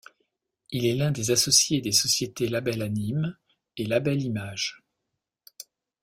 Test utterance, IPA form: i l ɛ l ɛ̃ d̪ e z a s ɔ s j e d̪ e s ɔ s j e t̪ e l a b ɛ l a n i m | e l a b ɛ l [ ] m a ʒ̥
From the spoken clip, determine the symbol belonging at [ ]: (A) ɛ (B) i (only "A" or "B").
B